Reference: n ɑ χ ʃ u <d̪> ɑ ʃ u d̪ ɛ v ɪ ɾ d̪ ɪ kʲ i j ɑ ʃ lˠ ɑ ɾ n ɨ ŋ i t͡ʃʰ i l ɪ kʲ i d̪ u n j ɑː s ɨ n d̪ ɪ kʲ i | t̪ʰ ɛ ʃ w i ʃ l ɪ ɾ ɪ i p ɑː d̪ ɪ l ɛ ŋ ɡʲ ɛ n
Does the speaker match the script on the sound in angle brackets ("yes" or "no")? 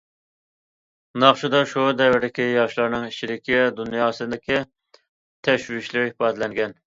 yes